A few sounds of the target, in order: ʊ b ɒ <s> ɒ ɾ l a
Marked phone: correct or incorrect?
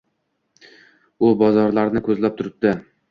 incorrect: z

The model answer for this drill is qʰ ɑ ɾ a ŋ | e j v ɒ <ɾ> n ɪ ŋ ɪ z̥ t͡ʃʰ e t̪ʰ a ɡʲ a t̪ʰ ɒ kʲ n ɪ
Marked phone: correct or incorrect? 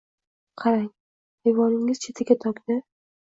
incorrect: none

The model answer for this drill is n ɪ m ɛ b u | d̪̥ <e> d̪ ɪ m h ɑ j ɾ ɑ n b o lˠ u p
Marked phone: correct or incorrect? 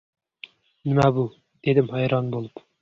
correct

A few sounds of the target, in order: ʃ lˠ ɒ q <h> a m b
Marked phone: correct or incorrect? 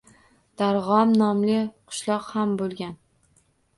correct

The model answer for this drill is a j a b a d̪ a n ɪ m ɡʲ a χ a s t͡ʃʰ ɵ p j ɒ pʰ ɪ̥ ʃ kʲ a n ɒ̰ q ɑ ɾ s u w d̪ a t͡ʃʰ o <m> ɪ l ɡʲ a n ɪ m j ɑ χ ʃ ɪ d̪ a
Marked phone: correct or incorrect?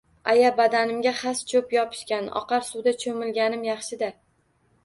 correct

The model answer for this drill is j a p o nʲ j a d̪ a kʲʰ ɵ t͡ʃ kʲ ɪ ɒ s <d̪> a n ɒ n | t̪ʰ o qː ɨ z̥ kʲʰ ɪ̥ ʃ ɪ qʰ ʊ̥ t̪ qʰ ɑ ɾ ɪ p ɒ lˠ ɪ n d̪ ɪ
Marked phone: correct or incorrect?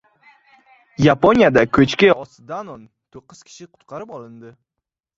correct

